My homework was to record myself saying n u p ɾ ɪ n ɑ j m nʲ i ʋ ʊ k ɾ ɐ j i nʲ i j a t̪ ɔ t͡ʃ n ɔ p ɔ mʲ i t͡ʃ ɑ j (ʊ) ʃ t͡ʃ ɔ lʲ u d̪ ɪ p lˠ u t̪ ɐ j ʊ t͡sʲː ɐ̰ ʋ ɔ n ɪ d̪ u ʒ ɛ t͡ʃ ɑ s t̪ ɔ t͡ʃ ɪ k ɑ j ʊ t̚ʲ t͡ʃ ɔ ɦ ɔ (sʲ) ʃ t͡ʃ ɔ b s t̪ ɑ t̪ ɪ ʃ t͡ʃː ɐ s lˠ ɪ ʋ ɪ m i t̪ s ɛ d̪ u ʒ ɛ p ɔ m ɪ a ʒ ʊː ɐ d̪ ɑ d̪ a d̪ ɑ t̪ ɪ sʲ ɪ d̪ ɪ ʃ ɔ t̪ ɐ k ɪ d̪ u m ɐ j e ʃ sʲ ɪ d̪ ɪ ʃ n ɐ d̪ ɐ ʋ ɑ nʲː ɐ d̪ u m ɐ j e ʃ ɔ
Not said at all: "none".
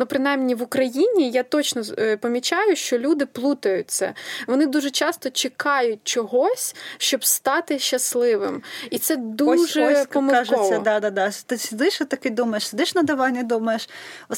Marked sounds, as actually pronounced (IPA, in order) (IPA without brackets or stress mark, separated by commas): ʊ, sʲ